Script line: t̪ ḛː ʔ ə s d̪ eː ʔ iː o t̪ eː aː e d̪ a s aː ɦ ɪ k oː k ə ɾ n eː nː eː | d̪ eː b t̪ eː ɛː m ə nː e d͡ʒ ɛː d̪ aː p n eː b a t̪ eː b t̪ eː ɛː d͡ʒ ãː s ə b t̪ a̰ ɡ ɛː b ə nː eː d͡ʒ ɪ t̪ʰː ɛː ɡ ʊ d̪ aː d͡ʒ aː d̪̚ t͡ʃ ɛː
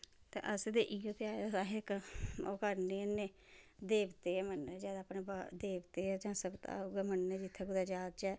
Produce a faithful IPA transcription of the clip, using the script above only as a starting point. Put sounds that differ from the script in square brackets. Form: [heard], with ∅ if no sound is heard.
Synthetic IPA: t̪ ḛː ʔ ə s d̪ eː ʔ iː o t̪ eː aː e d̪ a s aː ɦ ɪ k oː k ə ɾ n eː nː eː | d̪ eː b t̪ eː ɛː m ə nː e d͡ʒ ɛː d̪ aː p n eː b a [d̪] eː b t̪ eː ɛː d͡ʒ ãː s ə b t̪ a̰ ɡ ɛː [m] ə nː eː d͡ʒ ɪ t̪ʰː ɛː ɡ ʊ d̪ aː d͡ʒ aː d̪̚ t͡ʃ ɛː